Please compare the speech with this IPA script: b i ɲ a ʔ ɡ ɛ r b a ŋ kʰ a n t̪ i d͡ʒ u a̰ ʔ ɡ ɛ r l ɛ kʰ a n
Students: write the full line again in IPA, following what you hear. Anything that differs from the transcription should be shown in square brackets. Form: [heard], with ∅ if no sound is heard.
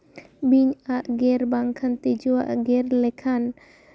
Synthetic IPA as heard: b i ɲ a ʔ ɡ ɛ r b a ŋ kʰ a n t̪ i d͡ʒ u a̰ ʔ ɡ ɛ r l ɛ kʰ a n